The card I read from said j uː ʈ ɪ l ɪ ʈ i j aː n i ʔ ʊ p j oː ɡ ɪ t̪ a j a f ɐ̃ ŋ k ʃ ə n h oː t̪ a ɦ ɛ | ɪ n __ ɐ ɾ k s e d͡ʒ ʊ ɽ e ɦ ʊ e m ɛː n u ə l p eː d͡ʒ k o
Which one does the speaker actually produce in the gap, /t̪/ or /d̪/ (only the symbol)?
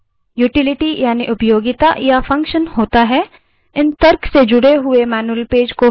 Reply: t̪